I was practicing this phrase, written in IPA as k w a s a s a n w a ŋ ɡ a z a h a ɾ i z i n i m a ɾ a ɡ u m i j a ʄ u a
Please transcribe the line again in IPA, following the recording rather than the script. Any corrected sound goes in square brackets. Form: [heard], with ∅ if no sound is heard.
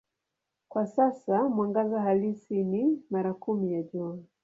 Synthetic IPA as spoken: k w a s a s a [m] w a ŋ ɡ a z a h a [l] i [s] i n i m a ɾ a [k] u m i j a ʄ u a